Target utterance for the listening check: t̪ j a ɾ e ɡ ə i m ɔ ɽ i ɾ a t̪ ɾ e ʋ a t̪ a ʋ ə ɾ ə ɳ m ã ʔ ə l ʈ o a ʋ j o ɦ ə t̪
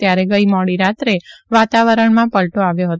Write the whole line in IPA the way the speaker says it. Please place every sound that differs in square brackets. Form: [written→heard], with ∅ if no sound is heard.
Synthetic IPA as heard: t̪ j a ɾ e ɡ ə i m ɔ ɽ i ɾ a t̪ ɾ e ʋ a t̪ a ʋ ə ɾ ə ɳ m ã [ʔ→p] ə l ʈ o a ʋ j o ɦ ə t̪